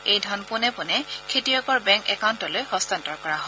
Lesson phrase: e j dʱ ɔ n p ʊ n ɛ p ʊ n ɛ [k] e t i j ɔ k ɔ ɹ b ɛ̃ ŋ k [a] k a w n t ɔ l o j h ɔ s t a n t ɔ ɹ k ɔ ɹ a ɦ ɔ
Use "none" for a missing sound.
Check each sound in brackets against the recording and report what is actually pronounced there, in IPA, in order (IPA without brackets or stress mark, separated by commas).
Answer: kʰ, ɛ